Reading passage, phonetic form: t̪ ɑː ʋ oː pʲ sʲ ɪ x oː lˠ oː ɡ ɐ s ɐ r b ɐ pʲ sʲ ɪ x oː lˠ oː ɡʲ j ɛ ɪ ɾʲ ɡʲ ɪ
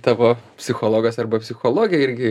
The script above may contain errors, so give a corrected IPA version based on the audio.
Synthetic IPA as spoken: t̪ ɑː ʋ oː pʲ sʲ ɪ x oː lˠ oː ɡ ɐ s ɐ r b ɐ pʲ sʲ ɪ x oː lˠ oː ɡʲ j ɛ ɪ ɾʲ ɡʲ ɪ